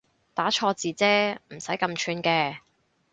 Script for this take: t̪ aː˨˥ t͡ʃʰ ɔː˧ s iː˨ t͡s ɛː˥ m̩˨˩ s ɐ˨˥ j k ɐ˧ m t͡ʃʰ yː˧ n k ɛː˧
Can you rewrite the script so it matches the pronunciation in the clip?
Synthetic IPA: t̪ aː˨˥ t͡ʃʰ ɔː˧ t͡s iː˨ t͡s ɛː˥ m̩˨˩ s ɐ˨˥ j k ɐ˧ m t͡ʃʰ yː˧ n k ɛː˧

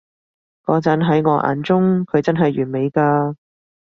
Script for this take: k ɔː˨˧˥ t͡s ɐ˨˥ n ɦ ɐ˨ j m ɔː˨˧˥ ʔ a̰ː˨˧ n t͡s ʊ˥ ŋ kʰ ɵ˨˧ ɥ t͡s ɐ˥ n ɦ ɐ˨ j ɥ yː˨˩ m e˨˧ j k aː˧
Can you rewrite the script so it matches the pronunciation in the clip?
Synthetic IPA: k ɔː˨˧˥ t͡s ɐ˨˥ n ɦ ɐ˨˥ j ŋ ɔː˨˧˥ ʔ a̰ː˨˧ n t͡s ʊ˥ ŋ kʰ ɵ˨˧ ɥ t͡s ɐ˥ n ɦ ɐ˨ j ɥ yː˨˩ m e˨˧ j k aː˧

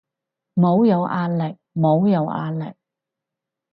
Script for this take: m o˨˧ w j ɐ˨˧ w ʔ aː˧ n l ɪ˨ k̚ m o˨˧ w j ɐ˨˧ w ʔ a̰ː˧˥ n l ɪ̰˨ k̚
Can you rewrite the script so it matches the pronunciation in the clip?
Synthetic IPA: m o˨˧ w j ɐ˨˧ w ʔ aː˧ n l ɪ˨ k̚ m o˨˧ w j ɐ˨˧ w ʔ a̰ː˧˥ n l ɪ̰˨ k̚

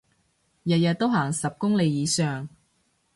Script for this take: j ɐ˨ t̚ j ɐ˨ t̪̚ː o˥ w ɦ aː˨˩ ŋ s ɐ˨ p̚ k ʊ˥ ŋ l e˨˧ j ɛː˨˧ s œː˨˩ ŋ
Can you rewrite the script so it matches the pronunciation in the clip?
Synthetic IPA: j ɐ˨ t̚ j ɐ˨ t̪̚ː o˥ w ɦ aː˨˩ ŋ s ɐ˨ p̚ k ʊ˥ ŋ l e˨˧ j iː˨˧ s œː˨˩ ŋ

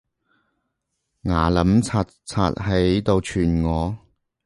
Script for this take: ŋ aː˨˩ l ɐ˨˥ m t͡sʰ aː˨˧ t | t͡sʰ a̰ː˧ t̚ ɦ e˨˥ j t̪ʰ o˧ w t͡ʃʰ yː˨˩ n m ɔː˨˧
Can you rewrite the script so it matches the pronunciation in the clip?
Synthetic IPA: ŋ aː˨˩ l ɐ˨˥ m t͡sʰ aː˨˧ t | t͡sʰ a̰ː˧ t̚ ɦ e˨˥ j t̪ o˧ w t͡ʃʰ yː˨˩ n ŋ ɔː˨˧

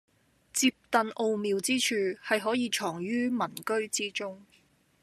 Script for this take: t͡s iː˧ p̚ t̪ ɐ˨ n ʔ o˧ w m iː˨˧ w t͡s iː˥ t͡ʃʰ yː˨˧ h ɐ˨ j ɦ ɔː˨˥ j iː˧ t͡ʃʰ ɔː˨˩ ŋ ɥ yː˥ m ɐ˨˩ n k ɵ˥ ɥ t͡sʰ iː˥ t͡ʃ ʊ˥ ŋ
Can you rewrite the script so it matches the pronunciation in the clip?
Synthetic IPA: t͡s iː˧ p̚ t̪ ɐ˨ n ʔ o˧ w m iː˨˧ w t͡s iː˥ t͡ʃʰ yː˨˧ h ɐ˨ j ɦ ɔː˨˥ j iː˧ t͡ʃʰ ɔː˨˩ ŋ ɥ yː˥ m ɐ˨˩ n k ɵ˥ ɥ t͡s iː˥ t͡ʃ ʊ˥ ŋ

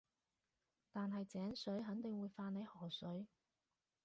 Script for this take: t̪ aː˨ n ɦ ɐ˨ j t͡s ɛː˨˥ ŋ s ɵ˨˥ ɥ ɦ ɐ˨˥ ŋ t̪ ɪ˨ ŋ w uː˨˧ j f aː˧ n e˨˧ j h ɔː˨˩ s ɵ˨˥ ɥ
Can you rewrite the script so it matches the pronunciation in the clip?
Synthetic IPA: t̪ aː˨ n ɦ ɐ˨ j t͡s ɛː˨˥ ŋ s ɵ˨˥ ɥ ɦ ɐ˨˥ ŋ t̪ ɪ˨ ŋ w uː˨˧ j f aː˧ n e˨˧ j h ɔː˨˩ s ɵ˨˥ ɥ

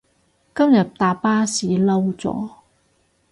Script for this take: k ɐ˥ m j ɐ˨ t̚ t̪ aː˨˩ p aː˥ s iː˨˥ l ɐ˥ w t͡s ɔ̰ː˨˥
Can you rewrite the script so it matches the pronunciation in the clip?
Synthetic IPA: k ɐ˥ m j ɐ˨ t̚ t̪ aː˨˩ p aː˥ s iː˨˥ l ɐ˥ w t͡s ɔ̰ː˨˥

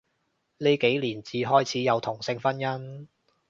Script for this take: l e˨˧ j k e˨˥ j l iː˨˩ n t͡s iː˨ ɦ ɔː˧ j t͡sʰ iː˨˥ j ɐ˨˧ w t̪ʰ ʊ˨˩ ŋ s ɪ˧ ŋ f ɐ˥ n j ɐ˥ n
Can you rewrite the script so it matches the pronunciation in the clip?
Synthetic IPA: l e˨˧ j k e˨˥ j l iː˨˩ n t͡s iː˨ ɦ ɔː˥ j t͡sʰ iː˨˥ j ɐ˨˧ w t̪ʰ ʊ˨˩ ŋ s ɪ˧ ŋ f ɐ˥ n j ɐ˥ n

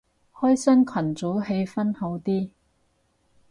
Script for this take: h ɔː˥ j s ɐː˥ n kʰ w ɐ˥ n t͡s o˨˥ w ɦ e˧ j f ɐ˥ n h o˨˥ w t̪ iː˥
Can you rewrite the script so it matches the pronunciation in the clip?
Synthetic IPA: h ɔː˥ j s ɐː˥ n kʰ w ɐ˨˩ n t͡s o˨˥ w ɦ e˧ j f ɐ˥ n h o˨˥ w t̪ iː˥

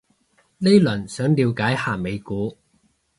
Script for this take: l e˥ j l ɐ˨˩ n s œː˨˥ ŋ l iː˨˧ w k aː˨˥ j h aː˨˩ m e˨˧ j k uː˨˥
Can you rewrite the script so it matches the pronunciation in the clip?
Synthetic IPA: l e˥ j l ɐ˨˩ n s œː˨˥ ŋ l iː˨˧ w k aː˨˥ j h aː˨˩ m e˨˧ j k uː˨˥

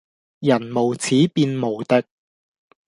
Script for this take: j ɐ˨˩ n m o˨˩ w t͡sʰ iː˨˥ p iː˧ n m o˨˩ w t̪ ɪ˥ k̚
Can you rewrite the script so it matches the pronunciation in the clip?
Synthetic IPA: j ɐ˨˩ n m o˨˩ w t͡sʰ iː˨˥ p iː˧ n m o˨˩ w t̪ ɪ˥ k̚

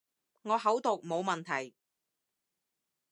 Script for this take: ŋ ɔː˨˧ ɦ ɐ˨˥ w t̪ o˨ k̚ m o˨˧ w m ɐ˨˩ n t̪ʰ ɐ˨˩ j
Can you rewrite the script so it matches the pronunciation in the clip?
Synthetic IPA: ŋ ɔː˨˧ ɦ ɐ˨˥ w t̪ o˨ k̚ m o˨˧ w m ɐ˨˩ n t̪ʰ ɐ˨˩ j

